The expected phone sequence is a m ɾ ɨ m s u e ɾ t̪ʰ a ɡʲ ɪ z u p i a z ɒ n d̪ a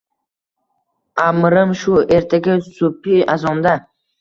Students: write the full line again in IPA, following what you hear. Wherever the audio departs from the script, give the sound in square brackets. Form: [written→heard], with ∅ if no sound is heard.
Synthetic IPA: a m ɾ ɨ m [s→ʃ] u e ɾ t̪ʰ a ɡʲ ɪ [z→s] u p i a z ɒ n d̪ a